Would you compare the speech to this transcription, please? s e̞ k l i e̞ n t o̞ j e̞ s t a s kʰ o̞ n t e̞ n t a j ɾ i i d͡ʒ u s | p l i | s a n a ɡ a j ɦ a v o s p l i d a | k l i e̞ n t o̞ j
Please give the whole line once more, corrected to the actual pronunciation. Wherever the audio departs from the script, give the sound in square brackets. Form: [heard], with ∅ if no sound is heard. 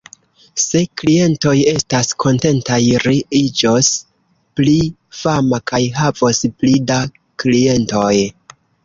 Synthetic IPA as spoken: s e̞ k l i e̞ n t o̞ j e̞ s t a s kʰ o̞ n t e̞ n t a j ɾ i i d͡ʒ [o] s | p l i | [f] a [m] a [k] a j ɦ a v o s p l i d a | k l i e̞ n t o̞ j